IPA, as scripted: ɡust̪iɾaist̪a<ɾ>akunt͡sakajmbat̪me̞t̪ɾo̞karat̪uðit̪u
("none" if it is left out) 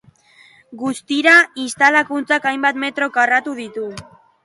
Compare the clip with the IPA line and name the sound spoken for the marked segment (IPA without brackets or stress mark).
l